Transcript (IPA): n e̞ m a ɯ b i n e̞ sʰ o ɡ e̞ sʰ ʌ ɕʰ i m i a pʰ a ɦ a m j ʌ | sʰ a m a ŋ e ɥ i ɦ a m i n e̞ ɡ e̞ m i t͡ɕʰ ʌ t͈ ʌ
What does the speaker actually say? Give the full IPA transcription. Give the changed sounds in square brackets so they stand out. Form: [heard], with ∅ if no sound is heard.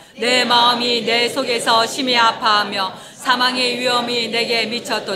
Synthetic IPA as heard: n e̞ m a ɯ [m] i n e̞ sʰ o ɡ e̞ sʰ ʌ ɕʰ i m i a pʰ a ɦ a m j ʌ | sʰ a m a ŋ e ɥ i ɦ [ʌ] m i n e̞ ɡ e̞ m i t͡ɕʰ ʌ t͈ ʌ